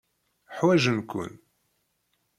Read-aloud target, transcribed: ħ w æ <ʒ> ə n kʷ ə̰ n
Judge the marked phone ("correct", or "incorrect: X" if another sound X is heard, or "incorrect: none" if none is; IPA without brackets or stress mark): correct